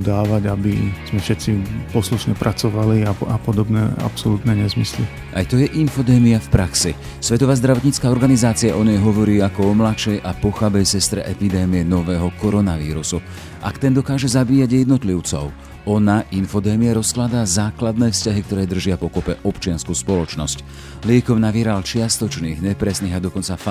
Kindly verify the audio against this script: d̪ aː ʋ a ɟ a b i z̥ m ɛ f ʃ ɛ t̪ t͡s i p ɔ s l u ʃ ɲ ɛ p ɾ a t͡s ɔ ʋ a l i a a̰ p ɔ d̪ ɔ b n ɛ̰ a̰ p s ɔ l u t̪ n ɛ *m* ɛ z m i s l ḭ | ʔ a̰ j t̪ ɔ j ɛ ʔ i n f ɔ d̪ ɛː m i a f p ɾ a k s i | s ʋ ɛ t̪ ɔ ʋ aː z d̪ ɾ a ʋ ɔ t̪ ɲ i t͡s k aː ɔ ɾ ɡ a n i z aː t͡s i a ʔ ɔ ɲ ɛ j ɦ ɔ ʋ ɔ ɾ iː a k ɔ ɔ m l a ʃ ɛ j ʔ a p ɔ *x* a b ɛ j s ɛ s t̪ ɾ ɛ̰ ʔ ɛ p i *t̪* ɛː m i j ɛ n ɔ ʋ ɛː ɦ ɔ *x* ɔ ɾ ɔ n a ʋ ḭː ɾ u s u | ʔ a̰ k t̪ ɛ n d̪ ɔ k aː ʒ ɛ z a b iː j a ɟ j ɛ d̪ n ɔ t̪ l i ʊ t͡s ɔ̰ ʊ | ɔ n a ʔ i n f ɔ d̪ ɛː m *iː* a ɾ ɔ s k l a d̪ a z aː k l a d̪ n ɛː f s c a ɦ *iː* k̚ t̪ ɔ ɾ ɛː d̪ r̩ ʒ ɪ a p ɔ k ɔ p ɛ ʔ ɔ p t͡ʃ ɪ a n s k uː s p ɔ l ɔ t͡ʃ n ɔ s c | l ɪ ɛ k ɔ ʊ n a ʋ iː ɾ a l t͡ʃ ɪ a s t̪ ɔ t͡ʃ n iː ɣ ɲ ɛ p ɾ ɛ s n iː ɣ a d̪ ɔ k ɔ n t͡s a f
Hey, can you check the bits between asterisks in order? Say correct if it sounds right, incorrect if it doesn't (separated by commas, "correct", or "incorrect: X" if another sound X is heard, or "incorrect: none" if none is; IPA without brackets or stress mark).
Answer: incorrect: ɲ, correct, incorrect: d̪, incorrect: k, incorrect: i, incorrect: i